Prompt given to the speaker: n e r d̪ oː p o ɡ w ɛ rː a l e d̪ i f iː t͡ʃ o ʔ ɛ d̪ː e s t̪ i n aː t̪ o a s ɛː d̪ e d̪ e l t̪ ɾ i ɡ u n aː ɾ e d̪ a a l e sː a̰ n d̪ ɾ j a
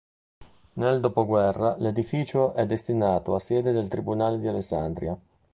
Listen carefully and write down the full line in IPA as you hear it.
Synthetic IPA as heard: n e l d̪ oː p o ɡ w ɛ rː a l e d̪ i f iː t͡ʃ o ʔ ɛ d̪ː e s t̪ i n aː t̪ o a s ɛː d̪ e d̪ e l t̪ ɾ i b u n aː l e d̪ i a l e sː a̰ n d̪ ɾ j a